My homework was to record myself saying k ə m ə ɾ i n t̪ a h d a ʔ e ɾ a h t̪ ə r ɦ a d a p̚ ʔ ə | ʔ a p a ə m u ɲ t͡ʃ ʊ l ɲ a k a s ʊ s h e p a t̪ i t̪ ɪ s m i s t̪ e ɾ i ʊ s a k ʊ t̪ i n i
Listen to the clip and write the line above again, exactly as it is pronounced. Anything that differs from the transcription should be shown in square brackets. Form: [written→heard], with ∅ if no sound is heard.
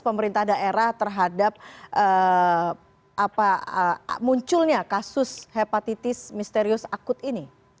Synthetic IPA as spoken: [k→p] ə m ə ɾ i n t̪ a h d a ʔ e ɾ a h t̪ ə r ɦ a d a p̚ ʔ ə | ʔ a p a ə m u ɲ t͡ʃ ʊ l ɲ a k a s ʊ s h e p a t̪ i t̪ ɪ s m i s t̪ e ɾ i ʊ s a k ʊ t̪ i n i

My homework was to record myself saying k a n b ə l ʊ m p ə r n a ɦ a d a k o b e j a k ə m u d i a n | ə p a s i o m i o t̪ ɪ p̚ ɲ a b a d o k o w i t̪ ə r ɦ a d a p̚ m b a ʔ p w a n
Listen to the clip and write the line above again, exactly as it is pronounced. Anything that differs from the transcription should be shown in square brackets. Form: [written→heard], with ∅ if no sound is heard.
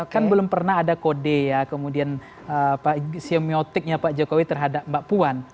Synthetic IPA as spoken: k a n b ə l ʊ m p ə r n a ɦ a d a k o [b→d] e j a k ə m u d i a n | ə p a s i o m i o t̪ ɪ [p̚→k̚] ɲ a [b→p] a [d→d͡ʒ] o k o w i t̪ ə r ɦ a d a p̚ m b a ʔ p [w→u] a n

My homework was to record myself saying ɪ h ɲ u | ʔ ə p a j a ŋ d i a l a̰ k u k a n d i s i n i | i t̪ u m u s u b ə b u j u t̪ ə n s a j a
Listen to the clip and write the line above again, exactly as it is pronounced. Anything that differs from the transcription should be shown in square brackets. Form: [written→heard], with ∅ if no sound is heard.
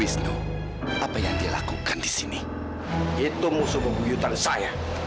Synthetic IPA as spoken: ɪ [h→s] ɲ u | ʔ [ə→a] p a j a ŋ d i a l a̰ k u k a n d i s i n i | i t̪ u m u s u b ə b u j u t̪ [ə→a] n s a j a

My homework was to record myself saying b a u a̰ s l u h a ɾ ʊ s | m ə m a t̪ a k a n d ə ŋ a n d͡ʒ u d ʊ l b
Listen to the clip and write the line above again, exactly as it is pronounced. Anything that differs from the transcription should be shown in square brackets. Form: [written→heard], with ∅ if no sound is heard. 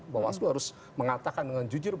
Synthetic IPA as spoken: b a [u→w] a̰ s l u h a ɾ ʊ s | m ə [m→ŋ] a t̪ a k a n d ə ŋ a n d͡ʒ u [d→d͡ʒ] ʊ [l→r] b

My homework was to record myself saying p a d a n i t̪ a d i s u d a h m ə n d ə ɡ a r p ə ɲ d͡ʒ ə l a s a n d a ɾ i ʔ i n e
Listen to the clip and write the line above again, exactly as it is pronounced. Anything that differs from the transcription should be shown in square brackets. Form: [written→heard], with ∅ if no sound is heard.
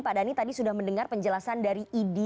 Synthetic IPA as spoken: p a d a n i t̪ a d i s u d a h m ə n d ə [ɡ→ŋ] a r p ə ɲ d͡ʒ ə l a s a n d a ɾ i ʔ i [n→d] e

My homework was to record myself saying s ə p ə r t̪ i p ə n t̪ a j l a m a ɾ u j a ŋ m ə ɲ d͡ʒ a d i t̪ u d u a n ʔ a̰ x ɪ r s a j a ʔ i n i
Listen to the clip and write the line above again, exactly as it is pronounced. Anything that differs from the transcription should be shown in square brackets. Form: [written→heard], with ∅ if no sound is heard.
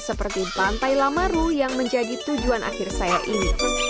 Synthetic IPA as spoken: s ə p ə r t̪ i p [ə→a] n t̪ a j l a m a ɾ u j a ŋ m ə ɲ d͡ʒ a d i t̪ u [d→d͡ʒ] u a n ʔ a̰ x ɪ r s a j a ʔ i n i

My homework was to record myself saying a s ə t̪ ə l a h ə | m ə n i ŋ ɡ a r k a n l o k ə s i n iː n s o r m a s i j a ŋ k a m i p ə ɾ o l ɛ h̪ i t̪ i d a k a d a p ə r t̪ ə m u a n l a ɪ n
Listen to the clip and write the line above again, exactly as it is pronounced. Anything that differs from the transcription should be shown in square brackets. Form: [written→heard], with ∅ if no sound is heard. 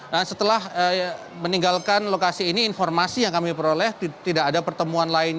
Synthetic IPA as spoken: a s ə t̪ ə l a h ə | m ə n i ŋ ɡ a [r→l] k a n l o k [ə→a] s [i→iː] n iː n [s→f] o r m a s i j a ŋ k a m i p ə ɾ o l ɛ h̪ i t̪ i d a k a d a p ə r t̪ ə m u a n l a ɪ n

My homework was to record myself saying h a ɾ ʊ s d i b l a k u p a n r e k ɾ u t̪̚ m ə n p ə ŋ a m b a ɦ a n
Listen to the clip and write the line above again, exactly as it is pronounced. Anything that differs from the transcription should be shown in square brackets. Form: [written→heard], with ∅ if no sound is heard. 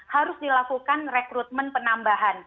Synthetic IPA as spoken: h a ɾ ʊ s d i [b→∅] l a k u [p→k] a n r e k ɾ u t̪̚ m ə n p ə [ŋ→n] a m b a ɦ a n

